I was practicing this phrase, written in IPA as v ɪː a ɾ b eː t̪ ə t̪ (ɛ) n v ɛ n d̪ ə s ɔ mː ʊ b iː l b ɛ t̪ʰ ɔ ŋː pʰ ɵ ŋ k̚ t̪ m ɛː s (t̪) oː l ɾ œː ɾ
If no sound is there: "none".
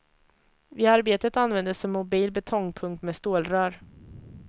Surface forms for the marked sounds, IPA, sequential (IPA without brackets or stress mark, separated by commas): a, t̪